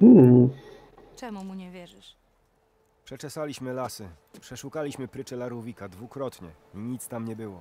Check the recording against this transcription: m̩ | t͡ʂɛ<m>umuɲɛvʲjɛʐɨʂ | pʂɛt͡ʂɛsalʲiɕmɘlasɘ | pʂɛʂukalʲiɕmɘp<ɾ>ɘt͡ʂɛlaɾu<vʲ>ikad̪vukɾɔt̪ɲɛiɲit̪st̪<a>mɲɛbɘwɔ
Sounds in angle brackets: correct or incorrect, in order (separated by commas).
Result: correct, correct, correct, correct